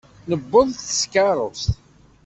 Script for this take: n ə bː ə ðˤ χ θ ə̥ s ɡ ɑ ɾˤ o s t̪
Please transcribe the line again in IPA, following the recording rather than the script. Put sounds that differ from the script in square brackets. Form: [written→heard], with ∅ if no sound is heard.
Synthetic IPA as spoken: n ə bː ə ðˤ [χ→θ] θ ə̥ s [ɡ→k] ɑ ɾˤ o s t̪